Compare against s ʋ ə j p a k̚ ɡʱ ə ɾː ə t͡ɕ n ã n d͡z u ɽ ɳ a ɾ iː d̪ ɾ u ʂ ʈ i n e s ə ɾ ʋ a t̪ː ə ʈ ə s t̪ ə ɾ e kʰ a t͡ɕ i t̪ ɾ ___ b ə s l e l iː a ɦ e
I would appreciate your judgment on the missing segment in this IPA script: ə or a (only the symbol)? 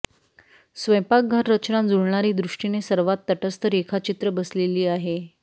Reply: ə